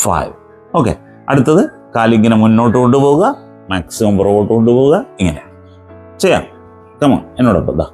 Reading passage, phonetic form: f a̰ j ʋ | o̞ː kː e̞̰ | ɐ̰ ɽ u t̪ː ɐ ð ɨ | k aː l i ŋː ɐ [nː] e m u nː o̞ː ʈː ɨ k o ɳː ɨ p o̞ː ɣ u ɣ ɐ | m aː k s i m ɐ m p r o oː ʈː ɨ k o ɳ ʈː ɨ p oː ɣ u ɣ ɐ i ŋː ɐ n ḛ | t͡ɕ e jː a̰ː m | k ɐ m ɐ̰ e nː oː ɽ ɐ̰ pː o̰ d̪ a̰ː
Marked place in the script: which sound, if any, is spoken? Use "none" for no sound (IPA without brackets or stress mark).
n